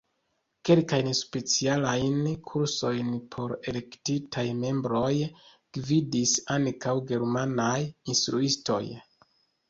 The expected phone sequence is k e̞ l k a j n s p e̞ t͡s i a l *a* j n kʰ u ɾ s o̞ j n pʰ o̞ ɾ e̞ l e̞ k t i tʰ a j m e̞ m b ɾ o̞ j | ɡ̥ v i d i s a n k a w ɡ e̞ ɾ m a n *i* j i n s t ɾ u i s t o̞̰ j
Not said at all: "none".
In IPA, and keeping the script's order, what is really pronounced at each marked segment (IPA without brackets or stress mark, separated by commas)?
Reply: a, a